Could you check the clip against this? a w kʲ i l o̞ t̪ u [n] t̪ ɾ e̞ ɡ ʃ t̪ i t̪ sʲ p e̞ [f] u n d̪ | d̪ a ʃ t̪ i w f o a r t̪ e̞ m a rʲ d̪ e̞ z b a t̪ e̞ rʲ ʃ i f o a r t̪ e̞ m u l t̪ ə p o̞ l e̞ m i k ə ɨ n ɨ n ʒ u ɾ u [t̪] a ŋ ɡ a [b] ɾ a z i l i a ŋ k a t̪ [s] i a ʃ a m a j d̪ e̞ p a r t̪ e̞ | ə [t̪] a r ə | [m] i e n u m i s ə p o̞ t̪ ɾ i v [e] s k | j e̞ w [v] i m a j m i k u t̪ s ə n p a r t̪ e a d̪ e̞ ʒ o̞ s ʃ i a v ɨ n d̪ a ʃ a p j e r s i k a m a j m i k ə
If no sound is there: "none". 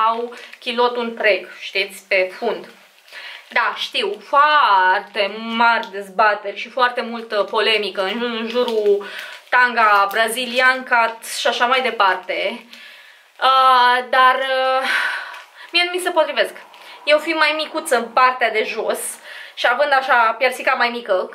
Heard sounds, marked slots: n, f, t̪, b, ʃ, d̪, m, e, f

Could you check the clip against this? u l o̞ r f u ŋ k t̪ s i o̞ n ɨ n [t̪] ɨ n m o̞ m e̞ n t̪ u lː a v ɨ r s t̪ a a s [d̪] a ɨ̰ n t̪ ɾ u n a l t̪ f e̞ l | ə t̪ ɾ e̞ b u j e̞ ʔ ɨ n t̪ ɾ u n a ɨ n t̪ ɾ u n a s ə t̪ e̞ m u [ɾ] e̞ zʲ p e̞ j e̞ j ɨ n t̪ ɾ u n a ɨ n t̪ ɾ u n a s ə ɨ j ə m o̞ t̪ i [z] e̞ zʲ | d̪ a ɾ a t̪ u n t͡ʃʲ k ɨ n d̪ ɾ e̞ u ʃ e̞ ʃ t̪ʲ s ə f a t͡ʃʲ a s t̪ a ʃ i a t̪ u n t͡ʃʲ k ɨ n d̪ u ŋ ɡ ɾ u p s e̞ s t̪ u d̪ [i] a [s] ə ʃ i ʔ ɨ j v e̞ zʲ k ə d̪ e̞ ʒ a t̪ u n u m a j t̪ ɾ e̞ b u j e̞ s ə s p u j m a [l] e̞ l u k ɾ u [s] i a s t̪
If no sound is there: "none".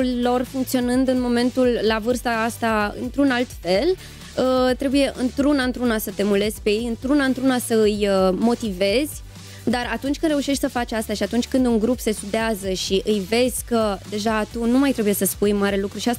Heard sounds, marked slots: d̪, t̪, l, v, e, z, ɾ, ʃ

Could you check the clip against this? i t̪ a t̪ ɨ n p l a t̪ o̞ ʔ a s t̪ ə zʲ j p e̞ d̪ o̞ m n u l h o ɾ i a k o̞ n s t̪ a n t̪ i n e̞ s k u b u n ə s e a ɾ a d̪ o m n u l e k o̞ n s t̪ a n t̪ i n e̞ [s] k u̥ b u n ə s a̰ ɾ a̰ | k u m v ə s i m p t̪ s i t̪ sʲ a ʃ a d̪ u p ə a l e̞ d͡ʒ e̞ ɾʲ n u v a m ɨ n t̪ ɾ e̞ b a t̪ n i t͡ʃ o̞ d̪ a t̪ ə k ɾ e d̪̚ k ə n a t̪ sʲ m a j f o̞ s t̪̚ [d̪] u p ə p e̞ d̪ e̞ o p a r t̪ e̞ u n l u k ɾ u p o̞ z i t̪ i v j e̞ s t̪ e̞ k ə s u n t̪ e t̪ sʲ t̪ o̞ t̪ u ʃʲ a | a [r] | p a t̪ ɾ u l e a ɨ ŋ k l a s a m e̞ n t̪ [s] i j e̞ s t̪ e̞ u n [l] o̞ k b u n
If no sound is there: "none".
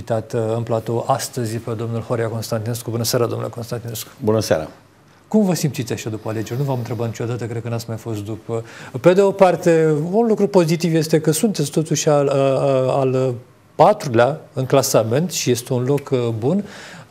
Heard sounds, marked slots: s, d̪, l, ʃ, l

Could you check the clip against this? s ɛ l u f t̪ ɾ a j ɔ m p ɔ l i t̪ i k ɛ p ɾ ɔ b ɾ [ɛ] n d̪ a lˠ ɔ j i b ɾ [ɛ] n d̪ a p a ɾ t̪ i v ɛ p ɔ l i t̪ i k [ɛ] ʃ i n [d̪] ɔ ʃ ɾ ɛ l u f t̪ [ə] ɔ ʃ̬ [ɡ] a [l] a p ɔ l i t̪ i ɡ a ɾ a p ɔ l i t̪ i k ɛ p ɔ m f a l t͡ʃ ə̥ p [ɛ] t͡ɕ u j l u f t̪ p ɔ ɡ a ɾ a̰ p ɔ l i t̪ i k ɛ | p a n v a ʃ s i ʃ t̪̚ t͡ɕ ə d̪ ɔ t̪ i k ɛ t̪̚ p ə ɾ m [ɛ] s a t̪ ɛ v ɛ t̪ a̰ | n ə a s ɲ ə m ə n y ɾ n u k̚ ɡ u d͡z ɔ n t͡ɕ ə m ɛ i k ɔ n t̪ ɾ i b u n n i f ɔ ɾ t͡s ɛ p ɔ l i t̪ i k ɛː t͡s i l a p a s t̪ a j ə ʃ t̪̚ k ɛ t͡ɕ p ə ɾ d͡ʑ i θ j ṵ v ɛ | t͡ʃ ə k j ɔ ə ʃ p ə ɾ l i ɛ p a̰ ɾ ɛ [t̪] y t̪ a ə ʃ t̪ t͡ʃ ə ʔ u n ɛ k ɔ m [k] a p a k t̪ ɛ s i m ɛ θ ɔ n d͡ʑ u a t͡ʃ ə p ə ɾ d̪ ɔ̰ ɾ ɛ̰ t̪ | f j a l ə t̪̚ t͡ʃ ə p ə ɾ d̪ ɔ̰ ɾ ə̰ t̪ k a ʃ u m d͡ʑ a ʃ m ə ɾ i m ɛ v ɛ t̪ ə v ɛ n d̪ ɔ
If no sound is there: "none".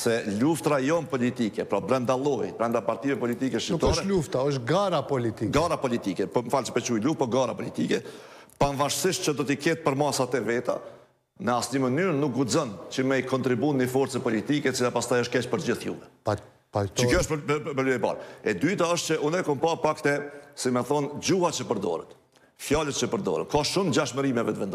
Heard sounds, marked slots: ɛ, ɛ, ɛ, t̪, a, ɡ, ɾ, ɛ, a, d̪, p

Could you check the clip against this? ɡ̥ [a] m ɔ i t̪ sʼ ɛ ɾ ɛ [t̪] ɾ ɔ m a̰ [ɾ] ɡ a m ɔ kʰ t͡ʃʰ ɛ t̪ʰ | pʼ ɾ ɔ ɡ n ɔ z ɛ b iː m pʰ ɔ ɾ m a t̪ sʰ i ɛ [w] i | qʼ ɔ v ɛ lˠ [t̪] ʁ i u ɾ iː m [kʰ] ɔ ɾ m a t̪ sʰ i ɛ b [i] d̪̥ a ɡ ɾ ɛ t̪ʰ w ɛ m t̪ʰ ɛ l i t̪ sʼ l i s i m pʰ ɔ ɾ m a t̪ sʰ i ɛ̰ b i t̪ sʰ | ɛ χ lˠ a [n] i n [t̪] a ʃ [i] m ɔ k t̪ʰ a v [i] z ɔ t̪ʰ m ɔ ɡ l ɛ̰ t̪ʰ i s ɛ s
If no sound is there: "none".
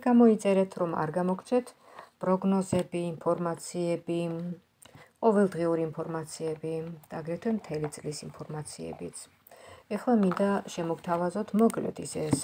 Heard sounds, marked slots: a, t̪ʰ, ɾ, b, d̪, pʰ, i, m, d̪, ɛ, a

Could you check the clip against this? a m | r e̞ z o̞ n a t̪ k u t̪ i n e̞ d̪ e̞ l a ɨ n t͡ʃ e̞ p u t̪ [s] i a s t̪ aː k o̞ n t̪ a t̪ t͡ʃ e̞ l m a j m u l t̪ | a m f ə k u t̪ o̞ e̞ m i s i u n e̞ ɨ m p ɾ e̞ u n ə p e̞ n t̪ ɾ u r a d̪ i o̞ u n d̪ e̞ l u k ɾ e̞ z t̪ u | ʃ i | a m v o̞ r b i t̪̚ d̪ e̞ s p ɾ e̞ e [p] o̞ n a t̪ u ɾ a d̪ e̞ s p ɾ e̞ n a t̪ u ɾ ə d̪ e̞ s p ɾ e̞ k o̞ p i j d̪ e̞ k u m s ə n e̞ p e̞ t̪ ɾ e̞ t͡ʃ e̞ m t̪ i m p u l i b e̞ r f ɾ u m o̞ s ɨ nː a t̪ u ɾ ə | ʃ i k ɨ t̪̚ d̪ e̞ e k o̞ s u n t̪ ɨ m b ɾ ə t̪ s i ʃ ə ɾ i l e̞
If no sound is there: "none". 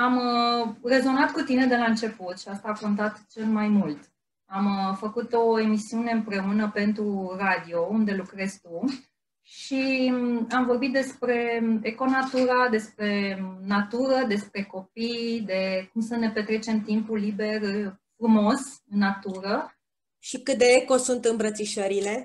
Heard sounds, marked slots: ʃ, k

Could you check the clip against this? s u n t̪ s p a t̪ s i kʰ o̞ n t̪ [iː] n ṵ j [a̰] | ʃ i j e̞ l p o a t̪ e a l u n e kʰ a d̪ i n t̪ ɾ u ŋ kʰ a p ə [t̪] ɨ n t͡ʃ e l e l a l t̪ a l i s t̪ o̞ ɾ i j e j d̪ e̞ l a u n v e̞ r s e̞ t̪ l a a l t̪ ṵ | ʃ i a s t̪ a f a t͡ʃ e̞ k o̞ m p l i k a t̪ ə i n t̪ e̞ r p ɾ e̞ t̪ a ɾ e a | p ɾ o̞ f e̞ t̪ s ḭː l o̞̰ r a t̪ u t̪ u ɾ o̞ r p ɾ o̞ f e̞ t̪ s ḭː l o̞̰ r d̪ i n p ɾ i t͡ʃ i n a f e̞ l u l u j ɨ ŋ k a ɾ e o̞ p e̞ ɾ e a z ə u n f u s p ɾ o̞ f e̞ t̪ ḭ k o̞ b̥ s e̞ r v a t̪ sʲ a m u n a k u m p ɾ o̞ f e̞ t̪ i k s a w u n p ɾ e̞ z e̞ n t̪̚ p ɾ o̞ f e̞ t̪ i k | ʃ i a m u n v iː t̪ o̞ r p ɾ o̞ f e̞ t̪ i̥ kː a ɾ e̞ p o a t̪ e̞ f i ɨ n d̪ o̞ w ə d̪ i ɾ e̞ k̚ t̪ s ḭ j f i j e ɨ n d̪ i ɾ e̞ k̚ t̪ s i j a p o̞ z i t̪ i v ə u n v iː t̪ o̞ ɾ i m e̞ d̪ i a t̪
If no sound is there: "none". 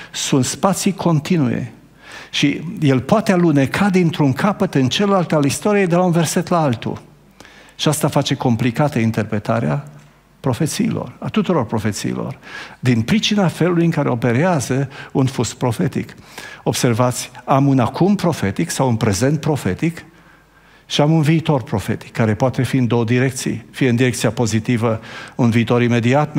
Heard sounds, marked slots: i, ḛ, t̪

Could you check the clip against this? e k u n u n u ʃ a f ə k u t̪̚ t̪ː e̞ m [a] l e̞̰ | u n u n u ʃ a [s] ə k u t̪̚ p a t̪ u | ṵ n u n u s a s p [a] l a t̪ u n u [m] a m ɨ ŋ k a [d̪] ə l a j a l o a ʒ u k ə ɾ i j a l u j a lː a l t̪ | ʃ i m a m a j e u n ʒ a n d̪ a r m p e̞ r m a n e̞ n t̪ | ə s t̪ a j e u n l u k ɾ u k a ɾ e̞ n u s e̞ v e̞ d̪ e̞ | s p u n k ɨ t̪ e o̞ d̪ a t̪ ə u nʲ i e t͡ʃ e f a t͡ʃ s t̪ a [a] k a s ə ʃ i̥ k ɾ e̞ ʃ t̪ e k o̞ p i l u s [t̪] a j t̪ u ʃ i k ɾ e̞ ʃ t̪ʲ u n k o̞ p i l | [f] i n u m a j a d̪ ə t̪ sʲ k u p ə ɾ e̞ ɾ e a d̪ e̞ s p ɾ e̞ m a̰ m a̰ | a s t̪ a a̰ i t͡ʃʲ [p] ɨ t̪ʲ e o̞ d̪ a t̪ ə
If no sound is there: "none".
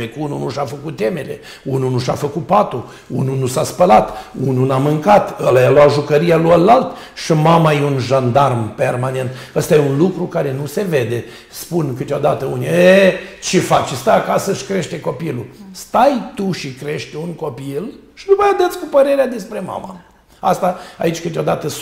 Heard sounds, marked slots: e, f, ə, n, t̪, a, t̪, ʃ, k

